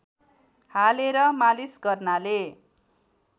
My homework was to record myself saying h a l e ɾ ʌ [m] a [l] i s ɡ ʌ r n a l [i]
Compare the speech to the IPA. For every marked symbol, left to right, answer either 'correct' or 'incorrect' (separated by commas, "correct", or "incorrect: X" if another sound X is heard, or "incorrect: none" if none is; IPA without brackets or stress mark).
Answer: correct, correct, incorrect: e